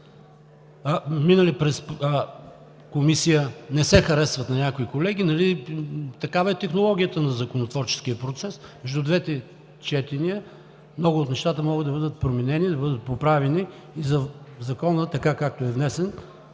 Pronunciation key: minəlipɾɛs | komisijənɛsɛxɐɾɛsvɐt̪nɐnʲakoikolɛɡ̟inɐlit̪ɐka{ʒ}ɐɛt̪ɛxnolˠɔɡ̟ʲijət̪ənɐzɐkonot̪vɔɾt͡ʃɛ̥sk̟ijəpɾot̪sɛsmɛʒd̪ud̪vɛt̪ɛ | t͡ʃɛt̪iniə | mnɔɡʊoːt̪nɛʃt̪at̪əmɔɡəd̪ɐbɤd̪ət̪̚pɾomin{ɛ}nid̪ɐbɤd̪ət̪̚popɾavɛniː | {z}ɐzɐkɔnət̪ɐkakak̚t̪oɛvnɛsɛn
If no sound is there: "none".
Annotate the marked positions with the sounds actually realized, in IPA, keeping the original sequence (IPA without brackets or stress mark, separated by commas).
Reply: v, ɛ, z